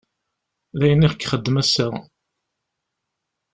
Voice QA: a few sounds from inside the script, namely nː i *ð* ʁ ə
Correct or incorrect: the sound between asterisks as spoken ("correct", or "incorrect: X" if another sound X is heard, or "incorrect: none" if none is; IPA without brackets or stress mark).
incorrect: none